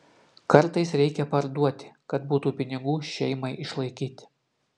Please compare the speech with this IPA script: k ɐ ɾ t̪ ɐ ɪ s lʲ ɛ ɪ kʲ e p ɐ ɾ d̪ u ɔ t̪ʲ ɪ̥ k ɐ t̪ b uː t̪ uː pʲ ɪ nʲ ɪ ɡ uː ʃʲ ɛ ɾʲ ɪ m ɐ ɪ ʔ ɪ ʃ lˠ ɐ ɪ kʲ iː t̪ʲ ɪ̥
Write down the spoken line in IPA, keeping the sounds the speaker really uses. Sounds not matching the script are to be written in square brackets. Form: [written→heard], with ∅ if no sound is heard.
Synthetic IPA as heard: k ɐ ɾ t̪ ɐ ɪ s [lʲ→ɾʲ] ɛ ɪ kʲ [e→ɛ] p ɐ ɾ d̪ u ɔ t̪ʲ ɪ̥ k ɐ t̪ b uː t̪ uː pʲ ɪ nʲ ɪ ɡ uː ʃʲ ɛ [ɾʲ→∅] ɪ m ɐ ɪ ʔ ɪ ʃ lˠ ɐ ɪ kʲ iː t̪ʲ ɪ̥